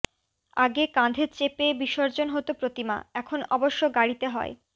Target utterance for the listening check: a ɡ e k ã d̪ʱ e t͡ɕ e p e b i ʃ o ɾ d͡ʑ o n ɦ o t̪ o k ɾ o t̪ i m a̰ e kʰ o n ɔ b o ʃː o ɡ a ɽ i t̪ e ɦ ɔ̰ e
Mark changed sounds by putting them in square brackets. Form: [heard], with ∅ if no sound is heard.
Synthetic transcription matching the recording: a ɡ e k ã d̪ʱ e t͡ɕ e p e b i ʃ o ɾ d͡ʑ o n ɦ o t̪ o [p] ɾ o t̪ i m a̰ [ɛ] kʰ o n ɔ b o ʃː o ɡ a ɽ i t̪ e ɦ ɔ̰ e